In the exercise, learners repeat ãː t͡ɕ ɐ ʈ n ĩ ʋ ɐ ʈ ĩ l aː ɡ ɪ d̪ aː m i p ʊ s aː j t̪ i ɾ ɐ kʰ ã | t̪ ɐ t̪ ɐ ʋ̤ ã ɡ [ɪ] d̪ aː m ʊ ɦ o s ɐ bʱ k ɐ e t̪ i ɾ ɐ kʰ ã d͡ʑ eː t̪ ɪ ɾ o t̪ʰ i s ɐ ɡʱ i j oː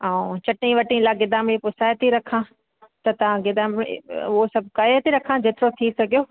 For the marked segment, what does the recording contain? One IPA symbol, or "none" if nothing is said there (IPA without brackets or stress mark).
ɪ